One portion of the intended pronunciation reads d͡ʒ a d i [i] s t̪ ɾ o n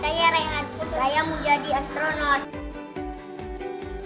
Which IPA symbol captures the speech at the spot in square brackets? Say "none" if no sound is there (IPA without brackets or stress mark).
a